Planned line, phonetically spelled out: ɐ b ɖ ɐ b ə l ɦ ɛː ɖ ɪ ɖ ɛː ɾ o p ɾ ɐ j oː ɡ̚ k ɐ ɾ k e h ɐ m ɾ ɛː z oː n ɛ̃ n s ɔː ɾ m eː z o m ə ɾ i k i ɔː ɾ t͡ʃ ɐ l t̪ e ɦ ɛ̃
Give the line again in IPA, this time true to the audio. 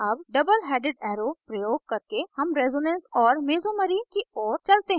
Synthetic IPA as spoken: ɐ b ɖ ɐ b ə l ɦ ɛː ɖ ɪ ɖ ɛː ɾ o p ɾ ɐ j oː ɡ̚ k ɐ ɾ k e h ɐ m ɾ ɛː z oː n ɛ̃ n s ɔː ɾ m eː z o m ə ɾ i k i ɔː ɾ t͡ʃ ɐ l t̪ e ɦ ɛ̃

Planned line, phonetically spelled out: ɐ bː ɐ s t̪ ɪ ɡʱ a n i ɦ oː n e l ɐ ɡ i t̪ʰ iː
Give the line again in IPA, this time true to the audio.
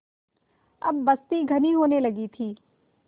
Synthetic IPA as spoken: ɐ bː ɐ s t̪ i ɡʱ ɐ n i ɦ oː n e l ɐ ɡ i t̪ʰ iː

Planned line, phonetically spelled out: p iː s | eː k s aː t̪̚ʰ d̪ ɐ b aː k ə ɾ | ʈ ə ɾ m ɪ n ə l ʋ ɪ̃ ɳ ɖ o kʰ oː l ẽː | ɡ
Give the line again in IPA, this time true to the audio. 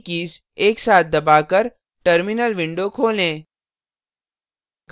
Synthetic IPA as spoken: k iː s | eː k s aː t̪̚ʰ d̪ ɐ b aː k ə ɾ | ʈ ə ɾ m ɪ n ə l ʋ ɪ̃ ɳ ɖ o kʰ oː l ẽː | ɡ

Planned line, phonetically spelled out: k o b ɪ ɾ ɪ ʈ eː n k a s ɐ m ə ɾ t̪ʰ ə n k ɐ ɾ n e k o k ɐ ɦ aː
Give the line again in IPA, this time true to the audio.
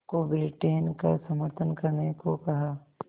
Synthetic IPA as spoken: k o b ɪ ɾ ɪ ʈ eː n k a s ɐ m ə ɾ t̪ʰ ə n k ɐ ɾ n e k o k ɐ ɦ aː

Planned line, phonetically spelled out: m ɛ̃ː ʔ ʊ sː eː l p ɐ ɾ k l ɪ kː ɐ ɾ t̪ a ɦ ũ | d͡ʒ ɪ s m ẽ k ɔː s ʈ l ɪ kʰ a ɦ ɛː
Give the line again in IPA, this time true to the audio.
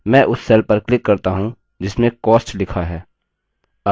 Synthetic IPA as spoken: m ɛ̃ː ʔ ʊ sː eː l p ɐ ɾ k l ɪ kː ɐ ɾ t̪ a ɦ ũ | d͡ʒ ɪ s m ẽ k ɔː s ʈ l ɪ kʰ a ɦ ɛː

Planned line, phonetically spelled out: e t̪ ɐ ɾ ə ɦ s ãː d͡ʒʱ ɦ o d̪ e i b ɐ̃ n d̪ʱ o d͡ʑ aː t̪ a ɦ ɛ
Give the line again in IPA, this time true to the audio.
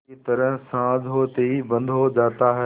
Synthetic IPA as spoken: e t̪ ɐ ɾ ə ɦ s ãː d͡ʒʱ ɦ o t̪ e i b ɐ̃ n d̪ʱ o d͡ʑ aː t̪ a ɦ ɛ

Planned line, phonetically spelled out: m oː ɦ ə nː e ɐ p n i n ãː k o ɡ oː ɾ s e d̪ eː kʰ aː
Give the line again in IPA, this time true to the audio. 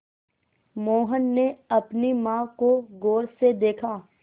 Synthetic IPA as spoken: m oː ɦ ə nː e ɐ p n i m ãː k o ɡ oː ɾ s e d̪ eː kʰ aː

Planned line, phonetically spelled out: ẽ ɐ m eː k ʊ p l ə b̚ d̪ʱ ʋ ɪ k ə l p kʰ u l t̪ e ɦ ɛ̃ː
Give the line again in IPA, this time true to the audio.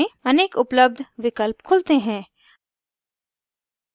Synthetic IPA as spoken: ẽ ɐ n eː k ʊ p l ə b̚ d̪ʱ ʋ ɪ k ə l p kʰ ʊ l t̪ e ɦ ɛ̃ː

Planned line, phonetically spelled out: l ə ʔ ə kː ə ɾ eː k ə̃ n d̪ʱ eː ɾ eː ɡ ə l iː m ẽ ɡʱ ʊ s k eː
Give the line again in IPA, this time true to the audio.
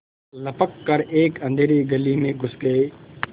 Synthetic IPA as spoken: l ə p ə kː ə ɾ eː k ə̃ n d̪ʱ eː ɾ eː ɡ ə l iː m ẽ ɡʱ ʊ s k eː

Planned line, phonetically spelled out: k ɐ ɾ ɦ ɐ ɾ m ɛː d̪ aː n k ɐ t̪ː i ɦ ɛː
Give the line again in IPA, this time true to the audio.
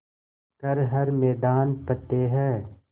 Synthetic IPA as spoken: k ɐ ɾ ɦ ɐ ɾ m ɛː d̪ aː n p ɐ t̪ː e ɦ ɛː

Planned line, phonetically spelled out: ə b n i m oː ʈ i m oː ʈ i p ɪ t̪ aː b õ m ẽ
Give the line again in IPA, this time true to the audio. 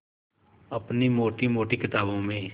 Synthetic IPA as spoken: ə p n i m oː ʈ i m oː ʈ i k ɪ t̪ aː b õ m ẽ

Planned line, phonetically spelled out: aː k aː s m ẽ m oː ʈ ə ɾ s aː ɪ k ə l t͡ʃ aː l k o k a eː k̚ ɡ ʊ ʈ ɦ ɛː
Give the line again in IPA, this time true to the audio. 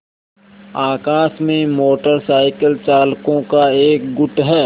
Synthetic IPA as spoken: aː k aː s m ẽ m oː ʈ ə ɾ s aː ɪ k ə l t͡ʃ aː l k õ k a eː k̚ ɡ ʊ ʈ ɦ ɛː

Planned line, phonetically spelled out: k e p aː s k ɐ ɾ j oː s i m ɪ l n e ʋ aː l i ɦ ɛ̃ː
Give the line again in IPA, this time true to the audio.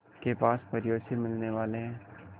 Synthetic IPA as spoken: k e p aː s p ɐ ɾ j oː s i m ɪ l n e ʋ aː l e ɦ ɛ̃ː

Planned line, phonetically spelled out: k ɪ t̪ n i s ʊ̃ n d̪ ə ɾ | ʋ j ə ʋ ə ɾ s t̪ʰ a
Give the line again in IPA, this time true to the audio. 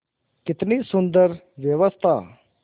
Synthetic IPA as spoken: k ɪ t̪ n i s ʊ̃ n d̪ ə ɾ | ʋ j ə ʋ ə s t̪ʰ a

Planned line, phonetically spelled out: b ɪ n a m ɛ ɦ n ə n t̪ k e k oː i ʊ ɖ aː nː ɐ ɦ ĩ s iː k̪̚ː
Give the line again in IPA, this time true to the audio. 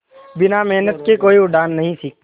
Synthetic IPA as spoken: b ɪ n a m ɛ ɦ n ə t̪ k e k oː i ʊ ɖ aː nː ɐ ɦ ĩ s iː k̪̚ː

